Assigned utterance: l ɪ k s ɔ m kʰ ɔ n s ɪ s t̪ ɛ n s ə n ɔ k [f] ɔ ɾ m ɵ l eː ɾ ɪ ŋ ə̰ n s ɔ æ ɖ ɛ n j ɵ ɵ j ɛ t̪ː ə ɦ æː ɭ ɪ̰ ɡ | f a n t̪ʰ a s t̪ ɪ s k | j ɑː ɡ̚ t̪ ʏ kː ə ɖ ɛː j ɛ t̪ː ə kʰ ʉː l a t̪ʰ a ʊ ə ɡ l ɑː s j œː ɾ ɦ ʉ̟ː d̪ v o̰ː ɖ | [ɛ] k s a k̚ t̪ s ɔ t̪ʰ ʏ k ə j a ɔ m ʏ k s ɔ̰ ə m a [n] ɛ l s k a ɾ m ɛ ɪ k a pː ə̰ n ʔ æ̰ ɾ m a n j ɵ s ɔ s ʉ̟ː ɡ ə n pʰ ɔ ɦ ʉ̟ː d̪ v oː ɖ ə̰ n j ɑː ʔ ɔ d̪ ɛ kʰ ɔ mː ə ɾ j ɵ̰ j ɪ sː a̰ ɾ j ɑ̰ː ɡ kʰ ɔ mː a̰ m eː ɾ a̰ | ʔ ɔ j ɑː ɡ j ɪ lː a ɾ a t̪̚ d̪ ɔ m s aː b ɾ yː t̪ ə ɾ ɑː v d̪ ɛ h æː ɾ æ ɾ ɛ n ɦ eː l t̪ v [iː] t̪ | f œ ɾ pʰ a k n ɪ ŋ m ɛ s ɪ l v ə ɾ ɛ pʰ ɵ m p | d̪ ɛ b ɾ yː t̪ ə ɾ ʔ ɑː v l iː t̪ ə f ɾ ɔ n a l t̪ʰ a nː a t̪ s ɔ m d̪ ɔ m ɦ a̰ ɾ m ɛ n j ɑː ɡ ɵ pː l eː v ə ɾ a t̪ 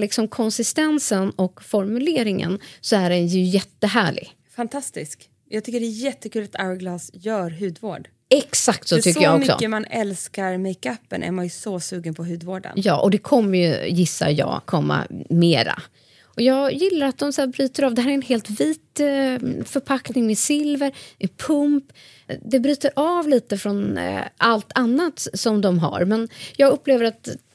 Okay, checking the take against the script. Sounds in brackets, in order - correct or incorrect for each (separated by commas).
correct, correct, correct, correct